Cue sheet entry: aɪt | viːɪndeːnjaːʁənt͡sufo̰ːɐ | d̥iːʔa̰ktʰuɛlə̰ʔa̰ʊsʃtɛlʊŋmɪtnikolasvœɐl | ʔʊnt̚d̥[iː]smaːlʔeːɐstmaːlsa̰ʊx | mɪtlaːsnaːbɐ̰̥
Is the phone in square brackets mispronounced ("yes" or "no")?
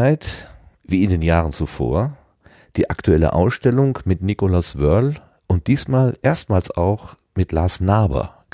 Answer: no